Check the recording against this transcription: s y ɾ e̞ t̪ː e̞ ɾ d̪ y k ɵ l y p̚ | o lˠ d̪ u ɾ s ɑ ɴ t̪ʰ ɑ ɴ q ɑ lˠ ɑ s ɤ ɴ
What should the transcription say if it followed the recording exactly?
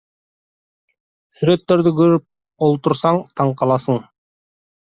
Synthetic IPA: s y ɾ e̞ t̪ː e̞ ɾ d̪ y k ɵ ɾ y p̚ | o lˠ t̪ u ɾ s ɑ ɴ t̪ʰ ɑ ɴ q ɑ lˠ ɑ s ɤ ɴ